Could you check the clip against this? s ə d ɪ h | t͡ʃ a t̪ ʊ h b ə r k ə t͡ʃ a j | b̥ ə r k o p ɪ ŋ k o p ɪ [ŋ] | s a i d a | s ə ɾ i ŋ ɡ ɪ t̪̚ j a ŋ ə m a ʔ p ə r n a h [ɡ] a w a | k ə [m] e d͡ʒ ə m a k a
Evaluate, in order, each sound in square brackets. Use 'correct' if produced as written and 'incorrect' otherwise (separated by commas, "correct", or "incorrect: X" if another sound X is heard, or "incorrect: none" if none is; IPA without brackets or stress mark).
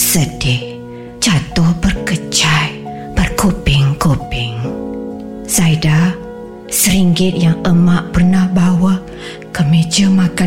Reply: correct, incorrect: b, correct